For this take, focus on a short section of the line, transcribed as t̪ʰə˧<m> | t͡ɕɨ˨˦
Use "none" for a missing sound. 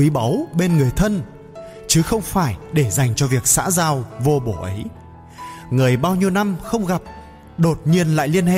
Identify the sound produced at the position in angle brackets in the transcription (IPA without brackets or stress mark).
n